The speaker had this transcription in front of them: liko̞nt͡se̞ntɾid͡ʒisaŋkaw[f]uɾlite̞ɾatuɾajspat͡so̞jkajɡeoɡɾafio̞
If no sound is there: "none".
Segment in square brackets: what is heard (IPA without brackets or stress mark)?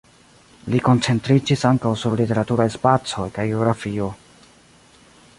s